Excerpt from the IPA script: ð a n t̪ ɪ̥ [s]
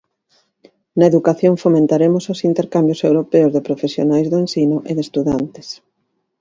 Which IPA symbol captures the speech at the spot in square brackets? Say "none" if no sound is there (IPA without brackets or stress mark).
s